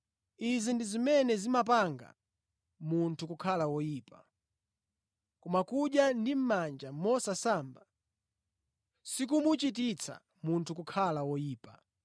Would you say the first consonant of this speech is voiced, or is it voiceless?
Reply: voiced